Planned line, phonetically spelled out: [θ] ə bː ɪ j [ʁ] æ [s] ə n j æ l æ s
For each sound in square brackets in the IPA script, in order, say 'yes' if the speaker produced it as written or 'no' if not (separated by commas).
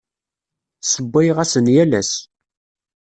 no, yes, yes